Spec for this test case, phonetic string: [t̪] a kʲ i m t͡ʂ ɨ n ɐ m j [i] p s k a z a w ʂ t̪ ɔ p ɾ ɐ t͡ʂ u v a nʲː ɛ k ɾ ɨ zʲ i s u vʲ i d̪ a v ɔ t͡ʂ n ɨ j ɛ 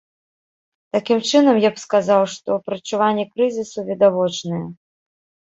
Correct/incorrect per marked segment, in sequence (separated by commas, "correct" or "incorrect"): correct, incorrect